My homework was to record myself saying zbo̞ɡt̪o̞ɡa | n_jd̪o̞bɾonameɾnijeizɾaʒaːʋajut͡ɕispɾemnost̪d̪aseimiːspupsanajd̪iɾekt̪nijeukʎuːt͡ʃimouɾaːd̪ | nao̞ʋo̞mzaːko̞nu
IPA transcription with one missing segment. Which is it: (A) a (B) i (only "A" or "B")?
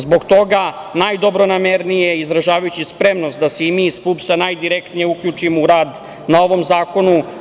A